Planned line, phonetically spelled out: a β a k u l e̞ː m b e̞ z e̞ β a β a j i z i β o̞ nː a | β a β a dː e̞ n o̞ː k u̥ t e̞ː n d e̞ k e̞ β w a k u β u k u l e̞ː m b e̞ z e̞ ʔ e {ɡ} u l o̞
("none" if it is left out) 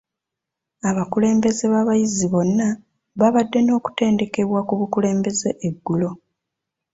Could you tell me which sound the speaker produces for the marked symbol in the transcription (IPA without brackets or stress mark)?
ɡː